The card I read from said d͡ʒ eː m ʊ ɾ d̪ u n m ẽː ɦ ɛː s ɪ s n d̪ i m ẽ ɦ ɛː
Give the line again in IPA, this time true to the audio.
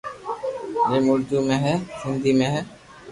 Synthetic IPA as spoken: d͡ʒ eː m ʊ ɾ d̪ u m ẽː ɦ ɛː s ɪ n d̪ i m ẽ ɦ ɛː